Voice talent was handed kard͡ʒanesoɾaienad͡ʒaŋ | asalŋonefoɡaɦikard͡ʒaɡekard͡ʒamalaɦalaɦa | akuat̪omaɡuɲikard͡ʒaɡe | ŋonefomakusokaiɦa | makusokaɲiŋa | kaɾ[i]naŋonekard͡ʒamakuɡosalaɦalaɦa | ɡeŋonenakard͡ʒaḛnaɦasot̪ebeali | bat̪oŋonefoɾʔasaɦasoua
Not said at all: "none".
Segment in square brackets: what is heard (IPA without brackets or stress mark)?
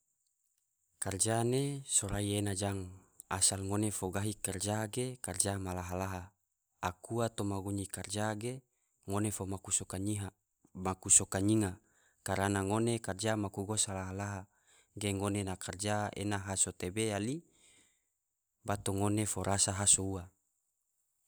a